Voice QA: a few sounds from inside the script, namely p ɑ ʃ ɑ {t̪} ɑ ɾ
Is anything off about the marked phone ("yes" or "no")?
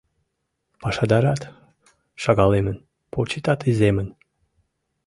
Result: yes